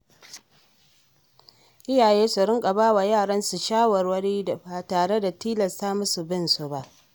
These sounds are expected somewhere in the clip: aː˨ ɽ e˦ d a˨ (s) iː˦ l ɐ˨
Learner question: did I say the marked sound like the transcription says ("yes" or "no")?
no